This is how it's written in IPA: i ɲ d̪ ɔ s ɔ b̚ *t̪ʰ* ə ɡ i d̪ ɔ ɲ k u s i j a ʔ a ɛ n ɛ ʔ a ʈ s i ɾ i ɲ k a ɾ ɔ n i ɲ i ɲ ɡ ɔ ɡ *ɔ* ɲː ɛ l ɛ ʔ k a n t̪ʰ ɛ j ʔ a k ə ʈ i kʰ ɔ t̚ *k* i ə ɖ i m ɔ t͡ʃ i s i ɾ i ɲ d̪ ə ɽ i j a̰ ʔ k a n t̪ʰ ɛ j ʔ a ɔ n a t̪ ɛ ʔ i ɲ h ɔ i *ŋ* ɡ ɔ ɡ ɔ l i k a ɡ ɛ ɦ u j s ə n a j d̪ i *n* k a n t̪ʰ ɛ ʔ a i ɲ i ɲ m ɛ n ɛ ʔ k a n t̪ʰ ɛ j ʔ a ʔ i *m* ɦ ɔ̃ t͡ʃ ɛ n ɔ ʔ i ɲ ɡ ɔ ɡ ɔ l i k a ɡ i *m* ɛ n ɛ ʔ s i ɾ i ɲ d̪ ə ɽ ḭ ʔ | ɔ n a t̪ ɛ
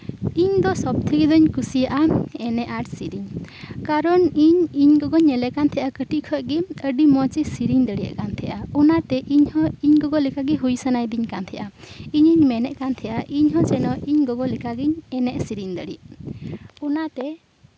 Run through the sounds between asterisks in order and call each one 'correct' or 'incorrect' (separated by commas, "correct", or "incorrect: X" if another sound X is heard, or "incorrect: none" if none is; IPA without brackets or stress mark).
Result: correct, correct, incorrect: ɡ, incorrect: ɲ, incorrect: ɲ, incorrect: ɲ, incorrect: ɲ